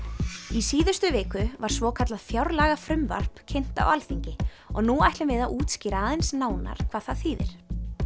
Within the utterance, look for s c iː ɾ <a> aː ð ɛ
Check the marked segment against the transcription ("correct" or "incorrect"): correct